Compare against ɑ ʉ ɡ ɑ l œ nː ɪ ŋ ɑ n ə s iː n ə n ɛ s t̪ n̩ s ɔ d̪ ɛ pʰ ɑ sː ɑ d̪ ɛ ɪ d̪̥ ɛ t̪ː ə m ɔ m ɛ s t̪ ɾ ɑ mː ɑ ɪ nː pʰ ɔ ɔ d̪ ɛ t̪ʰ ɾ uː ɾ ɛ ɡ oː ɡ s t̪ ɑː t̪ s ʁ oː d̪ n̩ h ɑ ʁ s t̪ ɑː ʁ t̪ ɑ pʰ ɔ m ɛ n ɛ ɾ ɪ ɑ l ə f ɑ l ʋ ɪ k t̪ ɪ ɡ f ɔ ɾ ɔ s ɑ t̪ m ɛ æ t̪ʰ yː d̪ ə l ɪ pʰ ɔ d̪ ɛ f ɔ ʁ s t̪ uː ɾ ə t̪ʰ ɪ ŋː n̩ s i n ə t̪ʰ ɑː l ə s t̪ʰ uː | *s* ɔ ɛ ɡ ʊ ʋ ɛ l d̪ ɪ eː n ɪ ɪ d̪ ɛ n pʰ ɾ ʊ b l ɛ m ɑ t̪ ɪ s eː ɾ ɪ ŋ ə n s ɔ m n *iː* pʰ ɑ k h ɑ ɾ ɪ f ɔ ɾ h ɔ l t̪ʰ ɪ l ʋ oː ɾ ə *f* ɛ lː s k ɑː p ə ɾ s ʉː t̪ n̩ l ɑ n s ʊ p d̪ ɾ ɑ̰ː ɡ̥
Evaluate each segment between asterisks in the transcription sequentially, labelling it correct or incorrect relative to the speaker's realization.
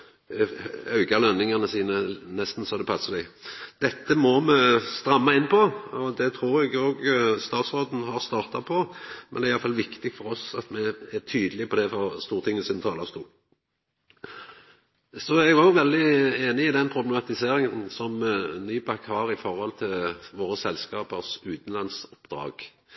correct, incorrect: yː, incorrect: s

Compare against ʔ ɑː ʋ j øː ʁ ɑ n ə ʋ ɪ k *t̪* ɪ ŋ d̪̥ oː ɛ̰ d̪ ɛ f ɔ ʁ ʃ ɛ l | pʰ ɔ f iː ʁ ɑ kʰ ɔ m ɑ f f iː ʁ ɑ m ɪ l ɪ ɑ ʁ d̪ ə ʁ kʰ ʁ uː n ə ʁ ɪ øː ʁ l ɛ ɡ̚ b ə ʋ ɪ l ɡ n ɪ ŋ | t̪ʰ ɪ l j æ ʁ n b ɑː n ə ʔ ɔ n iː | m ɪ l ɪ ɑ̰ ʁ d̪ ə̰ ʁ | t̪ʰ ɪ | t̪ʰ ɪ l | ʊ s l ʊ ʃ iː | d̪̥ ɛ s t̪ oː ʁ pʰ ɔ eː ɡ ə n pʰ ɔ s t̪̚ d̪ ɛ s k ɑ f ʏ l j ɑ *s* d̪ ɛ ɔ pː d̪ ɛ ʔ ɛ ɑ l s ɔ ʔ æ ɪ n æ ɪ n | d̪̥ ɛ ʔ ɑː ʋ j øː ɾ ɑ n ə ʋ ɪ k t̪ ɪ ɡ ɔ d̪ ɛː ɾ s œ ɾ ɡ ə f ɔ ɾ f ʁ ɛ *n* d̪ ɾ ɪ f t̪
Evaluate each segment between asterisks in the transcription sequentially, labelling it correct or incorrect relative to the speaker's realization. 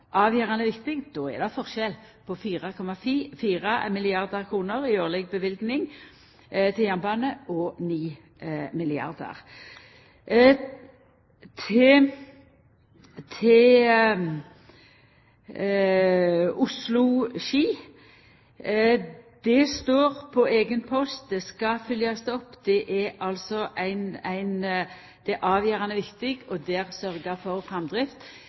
correct, correct, incorrect: m

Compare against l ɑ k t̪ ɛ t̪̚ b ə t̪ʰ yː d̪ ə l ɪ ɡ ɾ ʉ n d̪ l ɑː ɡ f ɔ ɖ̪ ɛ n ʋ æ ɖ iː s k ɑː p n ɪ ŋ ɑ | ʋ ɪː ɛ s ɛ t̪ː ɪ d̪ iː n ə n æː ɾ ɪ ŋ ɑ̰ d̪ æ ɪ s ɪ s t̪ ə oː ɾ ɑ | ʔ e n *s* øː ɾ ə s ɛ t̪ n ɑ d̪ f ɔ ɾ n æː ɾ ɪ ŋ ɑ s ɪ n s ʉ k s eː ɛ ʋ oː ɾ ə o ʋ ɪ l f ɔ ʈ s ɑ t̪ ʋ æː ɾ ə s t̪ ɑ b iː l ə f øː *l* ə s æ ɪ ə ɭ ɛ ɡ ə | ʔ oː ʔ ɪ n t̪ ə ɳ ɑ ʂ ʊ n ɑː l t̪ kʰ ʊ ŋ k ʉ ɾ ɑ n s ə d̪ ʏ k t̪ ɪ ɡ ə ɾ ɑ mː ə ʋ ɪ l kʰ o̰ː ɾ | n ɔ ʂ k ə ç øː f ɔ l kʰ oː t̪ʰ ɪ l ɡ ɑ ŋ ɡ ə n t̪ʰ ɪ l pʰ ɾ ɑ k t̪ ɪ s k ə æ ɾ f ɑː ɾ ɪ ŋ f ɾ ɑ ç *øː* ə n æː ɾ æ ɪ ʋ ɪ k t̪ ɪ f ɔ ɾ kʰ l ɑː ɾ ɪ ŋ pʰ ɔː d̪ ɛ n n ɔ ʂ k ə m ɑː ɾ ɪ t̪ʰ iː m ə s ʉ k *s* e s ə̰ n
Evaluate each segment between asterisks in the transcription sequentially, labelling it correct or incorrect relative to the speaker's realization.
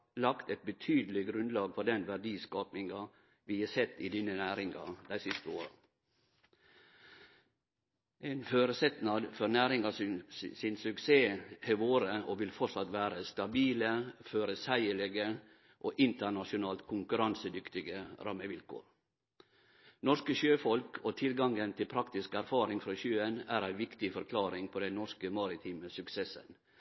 incorrect: f, incorrect: ɾ, correct, correct

